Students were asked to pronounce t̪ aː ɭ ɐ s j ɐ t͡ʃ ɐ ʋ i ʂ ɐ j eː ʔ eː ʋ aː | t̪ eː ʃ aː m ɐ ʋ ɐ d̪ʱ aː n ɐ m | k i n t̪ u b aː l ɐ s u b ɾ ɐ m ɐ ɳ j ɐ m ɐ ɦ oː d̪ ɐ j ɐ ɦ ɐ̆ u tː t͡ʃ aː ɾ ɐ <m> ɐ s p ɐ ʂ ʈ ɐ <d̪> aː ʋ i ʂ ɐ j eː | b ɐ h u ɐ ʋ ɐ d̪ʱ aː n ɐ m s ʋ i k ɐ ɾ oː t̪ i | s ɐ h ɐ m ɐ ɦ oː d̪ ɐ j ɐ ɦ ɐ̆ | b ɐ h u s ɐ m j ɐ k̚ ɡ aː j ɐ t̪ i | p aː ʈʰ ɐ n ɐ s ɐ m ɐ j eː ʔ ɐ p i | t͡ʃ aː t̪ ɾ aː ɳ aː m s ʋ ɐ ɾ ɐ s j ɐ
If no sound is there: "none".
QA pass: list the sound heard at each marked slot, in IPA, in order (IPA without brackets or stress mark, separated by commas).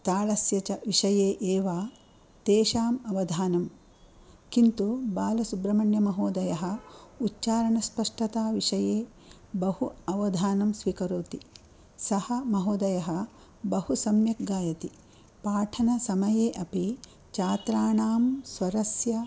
ɳ, t̪